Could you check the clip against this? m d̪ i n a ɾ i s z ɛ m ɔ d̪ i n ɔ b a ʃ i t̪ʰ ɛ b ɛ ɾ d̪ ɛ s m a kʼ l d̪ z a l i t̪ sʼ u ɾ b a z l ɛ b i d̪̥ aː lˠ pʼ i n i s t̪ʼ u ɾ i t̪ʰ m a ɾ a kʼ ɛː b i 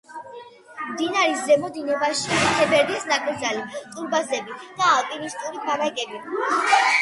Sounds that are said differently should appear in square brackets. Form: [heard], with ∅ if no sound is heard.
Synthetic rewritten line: m d̪ i n a ɾ i s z ɛ m ɔ d̪ i n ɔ b a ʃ i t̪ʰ ɛ b ɛ ɾ d̪ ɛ s [n] a kʼ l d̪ z a l i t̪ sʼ u ɾ b a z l ɛ b i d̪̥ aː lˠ pʼ i n i s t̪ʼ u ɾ i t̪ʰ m a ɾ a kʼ [ɛ] b i